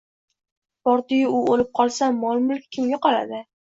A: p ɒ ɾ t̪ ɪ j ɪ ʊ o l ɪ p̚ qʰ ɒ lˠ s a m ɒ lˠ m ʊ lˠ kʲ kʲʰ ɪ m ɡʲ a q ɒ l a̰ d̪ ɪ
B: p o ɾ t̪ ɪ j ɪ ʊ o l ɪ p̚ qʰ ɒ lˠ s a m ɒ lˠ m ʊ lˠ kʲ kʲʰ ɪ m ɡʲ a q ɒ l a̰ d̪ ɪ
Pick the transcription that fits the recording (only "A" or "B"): A